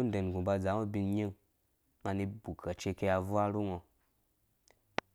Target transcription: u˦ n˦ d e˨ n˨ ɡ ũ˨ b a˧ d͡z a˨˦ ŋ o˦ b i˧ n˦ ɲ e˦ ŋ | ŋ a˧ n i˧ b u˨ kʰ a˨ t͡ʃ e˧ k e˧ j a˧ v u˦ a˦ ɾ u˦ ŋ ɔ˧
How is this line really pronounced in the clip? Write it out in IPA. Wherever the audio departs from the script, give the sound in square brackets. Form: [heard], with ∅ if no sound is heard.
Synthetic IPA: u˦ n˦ d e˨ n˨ ɡ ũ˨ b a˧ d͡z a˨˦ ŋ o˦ b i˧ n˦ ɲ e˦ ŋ | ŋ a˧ n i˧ b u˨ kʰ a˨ t͡ʃ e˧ k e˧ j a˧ v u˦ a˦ ɾ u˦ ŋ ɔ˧